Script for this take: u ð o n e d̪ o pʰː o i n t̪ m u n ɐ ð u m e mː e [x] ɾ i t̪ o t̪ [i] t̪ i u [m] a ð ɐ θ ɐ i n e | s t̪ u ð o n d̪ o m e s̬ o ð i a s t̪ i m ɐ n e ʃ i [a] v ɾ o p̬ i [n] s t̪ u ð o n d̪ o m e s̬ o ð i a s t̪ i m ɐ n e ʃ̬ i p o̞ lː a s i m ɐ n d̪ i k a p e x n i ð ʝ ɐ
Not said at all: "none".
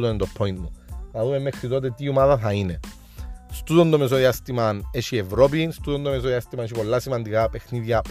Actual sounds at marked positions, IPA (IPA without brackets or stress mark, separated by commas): x, e, m, e, n